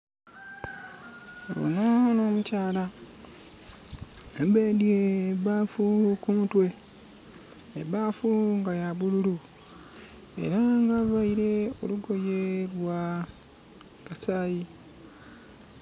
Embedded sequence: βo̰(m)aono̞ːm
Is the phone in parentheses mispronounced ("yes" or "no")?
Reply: yes